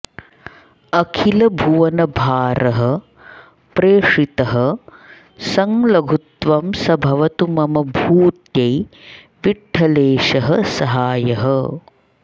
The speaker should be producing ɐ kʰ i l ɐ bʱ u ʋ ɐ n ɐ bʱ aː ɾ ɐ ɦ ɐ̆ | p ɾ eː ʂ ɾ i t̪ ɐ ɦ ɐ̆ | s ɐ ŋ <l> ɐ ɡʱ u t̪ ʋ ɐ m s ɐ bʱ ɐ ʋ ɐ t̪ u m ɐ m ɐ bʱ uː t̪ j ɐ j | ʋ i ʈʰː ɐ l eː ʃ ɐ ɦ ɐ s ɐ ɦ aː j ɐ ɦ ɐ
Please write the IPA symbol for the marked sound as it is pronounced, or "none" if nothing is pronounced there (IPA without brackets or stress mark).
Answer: l